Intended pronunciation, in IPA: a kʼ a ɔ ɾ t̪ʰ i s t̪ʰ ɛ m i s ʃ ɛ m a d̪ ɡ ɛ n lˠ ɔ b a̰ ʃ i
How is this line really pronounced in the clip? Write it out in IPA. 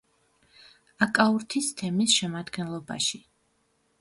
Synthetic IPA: a kʼ a u ɾ t̪ʰ i s t̪ʰ ɛ m i s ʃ ɛ m a d̪ ɡ ɛ n lˠ ɔ b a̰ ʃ i